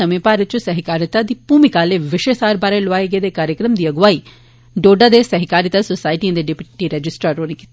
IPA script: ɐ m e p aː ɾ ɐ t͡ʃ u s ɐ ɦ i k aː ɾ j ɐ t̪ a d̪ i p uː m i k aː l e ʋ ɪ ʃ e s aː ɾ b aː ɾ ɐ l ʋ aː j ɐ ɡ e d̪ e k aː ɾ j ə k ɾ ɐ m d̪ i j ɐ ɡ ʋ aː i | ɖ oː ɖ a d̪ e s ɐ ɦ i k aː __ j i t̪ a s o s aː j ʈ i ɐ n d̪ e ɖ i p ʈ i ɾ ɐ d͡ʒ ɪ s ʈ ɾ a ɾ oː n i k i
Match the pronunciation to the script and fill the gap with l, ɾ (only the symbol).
ɾ